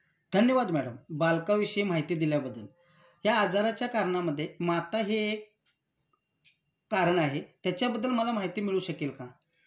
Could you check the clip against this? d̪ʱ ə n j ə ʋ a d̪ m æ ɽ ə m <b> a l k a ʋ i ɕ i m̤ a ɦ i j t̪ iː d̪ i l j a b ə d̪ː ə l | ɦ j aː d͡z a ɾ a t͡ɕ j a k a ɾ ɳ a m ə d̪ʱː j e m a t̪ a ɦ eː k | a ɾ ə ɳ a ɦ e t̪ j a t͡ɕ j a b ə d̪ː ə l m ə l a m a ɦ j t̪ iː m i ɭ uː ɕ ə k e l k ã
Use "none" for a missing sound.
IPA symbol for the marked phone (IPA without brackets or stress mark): b